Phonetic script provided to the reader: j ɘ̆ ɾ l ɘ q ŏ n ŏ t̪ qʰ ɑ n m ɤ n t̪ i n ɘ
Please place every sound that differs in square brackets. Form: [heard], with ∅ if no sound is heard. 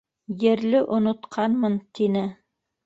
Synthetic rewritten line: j ɘ̆ ɾ l ɘ [ʔ] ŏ n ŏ t̪ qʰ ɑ n m ɤ n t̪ i n ɘ

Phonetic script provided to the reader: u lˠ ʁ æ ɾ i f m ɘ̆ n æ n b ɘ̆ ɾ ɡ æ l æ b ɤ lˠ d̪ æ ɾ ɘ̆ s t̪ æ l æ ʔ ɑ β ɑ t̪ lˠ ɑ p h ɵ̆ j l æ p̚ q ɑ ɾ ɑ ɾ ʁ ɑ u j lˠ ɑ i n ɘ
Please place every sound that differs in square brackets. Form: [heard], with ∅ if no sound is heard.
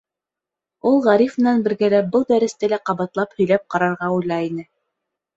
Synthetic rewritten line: u lˠ ʁ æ ɾ i f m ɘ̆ n æ n b ɘ̆ ɾ ɡ æ l æ b ɤ lˠ d̪ æ ɾ ɘ̆ s t̪ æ l æ [q] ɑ β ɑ t̪ lˠ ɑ p h ɵ̆ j l æ p̚ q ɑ ɾ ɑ ɾ ʁ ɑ u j lˠ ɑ i n ɘ

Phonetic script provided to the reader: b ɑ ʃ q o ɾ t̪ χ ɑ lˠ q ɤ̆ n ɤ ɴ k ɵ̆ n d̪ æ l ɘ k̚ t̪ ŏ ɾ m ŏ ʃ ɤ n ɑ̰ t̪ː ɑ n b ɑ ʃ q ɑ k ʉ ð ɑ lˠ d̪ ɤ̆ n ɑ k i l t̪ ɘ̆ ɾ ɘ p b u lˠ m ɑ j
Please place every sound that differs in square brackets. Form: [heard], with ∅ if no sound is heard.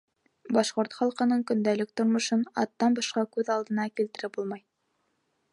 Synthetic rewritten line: b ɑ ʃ q o ɾ t̪ χ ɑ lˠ q ɤ̆ n ɤ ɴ k ɵ̆ n d̪ æ l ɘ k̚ t̪ ŏ ɾ m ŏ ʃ ɤ n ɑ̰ t̪ː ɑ n b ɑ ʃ q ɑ k ʉ ð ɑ lˠ d̪ ɤ̆ n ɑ k i l t̪ ɘ̆ ɾ ɘ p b u lˠ m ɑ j

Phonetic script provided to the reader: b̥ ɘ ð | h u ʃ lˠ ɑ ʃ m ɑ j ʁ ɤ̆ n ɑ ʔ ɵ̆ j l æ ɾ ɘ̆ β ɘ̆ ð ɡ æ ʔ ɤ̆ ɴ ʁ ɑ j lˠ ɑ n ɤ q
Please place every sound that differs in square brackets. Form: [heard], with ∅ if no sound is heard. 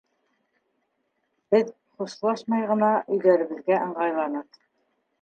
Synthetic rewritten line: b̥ ɘ ð | [χ] u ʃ lˠ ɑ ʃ m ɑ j ʁ ɤ̆ n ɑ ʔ ɵ̆ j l æ ɾ ɘ̆ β ɘ̆ ð ɡ æ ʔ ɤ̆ ɴ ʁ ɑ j lˠ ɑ n ɤ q

